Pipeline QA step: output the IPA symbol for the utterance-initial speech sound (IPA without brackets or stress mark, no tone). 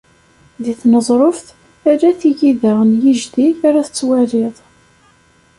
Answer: ð